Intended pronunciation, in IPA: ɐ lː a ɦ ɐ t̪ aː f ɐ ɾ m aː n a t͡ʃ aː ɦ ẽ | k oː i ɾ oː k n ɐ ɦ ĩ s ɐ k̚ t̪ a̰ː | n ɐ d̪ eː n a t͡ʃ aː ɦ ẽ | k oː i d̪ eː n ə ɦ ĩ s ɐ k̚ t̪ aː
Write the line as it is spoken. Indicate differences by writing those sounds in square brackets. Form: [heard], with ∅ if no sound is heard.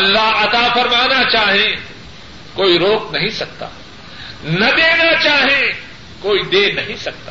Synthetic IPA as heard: ɐ lː a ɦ ɐ t̪ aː f ɐ ɾ m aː n a t͡ʃ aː ɦ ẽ | k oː i ɾ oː k n ɐ ɦ ĩ s ɐ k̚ t̪ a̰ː | n ɐ d̪ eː n a t͡ʃ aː ɦ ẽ | k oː i d̪ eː n [ɐ] ɦ ĩ s ɐ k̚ t̪ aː